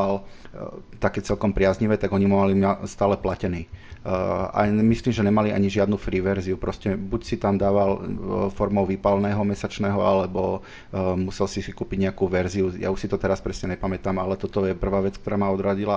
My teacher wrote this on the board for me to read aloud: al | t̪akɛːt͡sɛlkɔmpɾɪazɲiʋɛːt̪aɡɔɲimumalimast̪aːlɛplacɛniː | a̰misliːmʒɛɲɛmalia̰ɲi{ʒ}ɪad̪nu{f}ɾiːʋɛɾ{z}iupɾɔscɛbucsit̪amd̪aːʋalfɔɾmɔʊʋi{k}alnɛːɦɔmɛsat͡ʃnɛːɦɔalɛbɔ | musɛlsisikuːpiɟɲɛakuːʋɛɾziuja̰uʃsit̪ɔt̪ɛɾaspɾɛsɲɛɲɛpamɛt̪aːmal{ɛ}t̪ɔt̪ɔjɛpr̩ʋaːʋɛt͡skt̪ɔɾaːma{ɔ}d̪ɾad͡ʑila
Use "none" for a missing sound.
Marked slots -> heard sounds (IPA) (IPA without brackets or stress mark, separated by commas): ʒ, f, z, p, ɛ, ɔ